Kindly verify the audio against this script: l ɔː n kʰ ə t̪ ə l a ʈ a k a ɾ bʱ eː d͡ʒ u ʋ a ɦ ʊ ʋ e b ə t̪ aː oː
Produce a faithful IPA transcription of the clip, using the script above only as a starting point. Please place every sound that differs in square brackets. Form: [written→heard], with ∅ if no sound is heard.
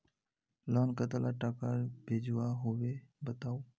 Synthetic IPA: l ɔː n [kʰ→k] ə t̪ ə l a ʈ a k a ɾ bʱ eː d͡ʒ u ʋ a ɦ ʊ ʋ e b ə t̪ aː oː